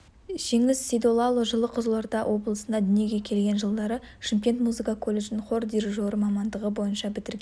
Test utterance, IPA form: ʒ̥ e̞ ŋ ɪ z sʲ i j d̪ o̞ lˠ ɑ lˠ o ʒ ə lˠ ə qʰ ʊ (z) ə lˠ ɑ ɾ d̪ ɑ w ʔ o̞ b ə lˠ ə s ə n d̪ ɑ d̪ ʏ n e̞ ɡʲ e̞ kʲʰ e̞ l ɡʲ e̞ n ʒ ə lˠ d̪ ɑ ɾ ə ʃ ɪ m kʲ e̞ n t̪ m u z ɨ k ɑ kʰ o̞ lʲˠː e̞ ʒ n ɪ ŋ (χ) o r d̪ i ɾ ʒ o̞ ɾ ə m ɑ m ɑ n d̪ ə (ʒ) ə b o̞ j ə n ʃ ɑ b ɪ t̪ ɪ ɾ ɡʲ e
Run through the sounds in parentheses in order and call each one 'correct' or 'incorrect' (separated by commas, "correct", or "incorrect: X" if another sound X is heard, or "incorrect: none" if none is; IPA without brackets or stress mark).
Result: correct, correct, incorrect: ʁ